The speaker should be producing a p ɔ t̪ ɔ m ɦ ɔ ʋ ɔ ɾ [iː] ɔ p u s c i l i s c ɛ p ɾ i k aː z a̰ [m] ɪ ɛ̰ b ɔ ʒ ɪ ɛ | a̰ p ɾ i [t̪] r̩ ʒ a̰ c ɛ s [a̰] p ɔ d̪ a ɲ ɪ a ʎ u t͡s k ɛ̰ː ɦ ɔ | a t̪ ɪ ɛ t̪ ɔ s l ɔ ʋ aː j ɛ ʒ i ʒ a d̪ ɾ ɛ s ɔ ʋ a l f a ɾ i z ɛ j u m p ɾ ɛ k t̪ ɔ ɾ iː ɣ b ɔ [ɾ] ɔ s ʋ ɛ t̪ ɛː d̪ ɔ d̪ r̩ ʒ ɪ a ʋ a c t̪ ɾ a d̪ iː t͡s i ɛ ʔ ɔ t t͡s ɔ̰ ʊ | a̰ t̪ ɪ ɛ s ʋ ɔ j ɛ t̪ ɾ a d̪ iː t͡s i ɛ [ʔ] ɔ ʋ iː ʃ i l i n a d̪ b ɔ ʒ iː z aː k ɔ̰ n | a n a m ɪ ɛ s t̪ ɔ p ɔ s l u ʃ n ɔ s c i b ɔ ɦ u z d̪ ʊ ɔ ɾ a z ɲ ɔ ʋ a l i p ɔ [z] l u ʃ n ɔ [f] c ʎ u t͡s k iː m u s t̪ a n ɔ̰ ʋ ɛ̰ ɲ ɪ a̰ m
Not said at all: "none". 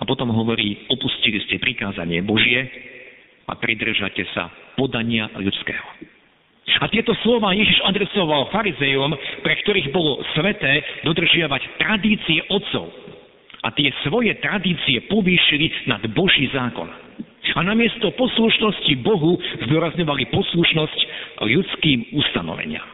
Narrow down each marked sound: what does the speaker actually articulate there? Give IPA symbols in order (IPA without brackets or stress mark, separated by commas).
iː, ɲ, d̪, a̰, l, p, s, s